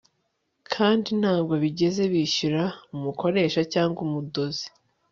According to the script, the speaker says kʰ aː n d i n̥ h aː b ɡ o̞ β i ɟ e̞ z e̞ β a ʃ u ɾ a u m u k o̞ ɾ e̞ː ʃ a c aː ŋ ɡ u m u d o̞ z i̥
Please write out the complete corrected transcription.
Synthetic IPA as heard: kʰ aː n d i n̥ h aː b ɡ o̞ β i ɟ e̞ z e̞ β i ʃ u ɾ a u m u k o̞ ɾ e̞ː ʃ a c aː ŋ ɡ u m u d o̞ z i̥